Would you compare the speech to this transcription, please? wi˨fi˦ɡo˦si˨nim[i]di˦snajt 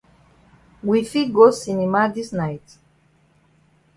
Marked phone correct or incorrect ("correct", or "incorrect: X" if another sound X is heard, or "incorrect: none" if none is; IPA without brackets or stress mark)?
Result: incorrect: a